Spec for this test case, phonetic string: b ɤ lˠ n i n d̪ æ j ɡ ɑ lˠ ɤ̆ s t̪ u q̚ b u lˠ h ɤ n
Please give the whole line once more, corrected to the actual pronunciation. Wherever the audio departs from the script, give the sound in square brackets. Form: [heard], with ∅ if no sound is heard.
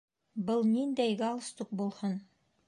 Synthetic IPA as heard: b ɤ lˠ n i n d̪ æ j ɡ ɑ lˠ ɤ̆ s t̪ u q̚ b u lˠ h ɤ n

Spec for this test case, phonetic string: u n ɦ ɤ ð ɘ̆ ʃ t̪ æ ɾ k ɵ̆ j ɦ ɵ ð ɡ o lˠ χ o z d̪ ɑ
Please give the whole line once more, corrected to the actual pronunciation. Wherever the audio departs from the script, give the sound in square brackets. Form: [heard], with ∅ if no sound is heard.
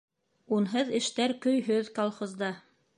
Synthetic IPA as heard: u n ɦ ɤ ð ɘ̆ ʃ t̪ æ ɾ k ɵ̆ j ɦ ɵ ð [k] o lˠ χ o z d̪ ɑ

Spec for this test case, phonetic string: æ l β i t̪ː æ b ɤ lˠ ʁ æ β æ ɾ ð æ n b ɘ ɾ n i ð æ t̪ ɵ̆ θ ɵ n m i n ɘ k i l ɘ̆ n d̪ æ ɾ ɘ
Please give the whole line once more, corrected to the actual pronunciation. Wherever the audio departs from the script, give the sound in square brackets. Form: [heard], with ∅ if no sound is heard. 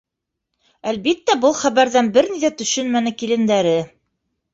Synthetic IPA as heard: æ l β i t̪ː æ b ɤ lˠ [χ] æ β æ ɾ ð æ n b ɘ ɾ n i ð æ t̪ ɵ̆ [ʃ] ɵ n m [æ] n ɘ k i l ɘ̆ n d̪ æ ɾ ɘ

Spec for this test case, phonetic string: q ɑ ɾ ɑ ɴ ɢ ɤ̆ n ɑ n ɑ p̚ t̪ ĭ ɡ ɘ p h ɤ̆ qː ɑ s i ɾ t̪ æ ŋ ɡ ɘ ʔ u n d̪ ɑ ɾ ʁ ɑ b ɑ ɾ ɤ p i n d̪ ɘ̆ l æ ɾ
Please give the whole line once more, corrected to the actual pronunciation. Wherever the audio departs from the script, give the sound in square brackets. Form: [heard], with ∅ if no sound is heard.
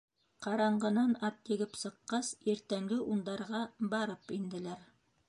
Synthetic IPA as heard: q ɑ ɾ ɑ ɴ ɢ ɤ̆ n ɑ n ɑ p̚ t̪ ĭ ɡ ɘ p [s] ɤ̆ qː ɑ s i ɾ t̪ æ ŋ ɡ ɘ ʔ u n d̪ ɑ ɾ ʁ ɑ b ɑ ɾ ɤ p i n d̪ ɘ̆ l æ ɾ

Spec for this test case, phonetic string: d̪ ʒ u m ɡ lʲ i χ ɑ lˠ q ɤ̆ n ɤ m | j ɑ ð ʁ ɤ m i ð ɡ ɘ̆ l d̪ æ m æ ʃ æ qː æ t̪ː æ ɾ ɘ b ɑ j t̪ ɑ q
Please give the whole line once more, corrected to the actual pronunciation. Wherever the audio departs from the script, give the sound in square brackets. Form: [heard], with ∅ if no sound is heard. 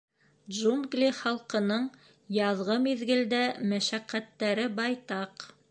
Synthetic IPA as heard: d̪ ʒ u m ɡ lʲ i χ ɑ lˠ q ɤ̆ n ɤ [ɴ] | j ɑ ð ʁ ɤ m i ð ɡ ɘ̆ l d̪ æ m æ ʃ æ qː æ t̪ː æ ɾ ɘ b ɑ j t̪ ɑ q

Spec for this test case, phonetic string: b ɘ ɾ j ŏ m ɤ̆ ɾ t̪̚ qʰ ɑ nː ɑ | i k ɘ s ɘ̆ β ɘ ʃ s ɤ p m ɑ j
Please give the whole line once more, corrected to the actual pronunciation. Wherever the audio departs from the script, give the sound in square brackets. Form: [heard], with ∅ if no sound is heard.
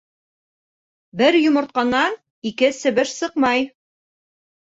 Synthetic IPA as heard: b ɘ ɾ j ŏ m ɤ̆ ɾ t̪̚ [q] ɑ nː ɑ | i k ɘ s ɘ̆ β ɘ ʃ s ɤ [q] m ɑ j

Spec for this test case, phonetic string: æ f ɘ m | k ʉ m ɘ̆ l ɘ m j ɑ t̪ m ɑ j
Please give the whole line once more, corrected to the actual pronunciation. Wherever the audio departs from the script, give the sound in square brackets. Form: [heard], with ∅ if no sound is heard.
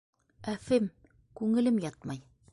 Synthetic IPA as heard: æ f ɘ m | k ʉ [ŋ] ɘ̆ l ɘ m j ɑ t̪ m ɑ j

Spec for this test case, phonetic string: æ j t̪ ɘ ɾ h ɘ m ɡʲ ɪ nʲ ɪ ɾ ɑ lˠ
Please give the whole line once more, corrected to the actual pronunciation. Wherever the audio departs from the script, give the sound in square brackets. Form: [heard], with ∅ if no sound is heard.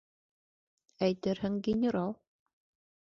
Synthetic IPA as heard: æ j t̪ ɘ ɾ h ɘ [ŋ] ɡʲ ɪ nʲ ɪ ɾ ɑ lˠ

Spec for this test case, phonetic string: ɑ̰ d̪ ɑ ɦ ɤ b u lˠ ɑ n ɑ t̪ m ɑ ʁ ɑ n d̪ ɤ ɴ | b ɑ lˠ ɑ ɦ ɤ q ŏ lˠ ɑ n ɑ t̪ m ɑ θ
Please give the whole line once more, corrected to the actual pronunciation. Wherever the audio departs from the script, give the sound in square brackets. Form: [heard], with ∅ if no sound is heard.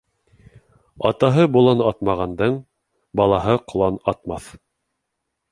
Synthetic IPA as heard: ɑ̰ [t̪] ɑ ɦ ɤ b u lˠ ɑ n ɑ t̪ m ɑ ʁ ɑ n d̪ ɤ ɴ | b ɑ lˠ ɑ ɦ ɤ q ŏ lˠ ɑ n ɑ t̪ m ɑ θ

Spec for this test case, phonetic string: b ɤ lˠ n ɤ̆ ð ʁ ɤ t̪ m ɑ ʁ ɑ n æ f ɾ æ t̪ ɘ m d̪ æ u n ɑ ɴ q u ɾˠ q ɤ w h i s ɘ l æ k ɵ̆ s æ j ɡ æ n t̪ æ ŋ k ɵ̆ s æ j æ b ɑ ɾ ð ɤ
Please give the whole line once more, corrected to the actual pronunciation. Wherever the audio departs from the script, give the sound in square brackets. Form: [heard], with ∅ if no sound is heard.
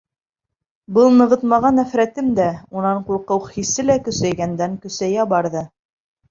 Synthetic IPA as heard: b ɤ lˠ n ɤ̆ [∅] ʁ ɤ t̪ m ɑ ʁ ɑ n æ f ɾ æ t̪ ɘ m d̪ æ u n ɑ ɴ q u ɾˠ q ɤ w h i s ɘ l æ k ɵ̆ s æ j ɡ æ n [d̪] æ ŋ k ɵ̆ s æ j æ b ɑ ɾ ð ɤ

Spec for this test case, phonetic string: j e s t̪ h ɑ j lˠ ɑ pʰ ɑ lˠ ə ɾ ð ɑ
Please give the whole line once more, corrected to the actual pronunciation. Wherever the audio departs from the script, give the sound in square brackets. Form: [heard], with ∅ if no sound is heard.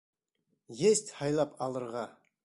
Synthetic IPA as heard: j e s t̪ h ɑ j lˠ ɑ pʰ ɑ lˠ ə ɾ [ʁ] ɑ

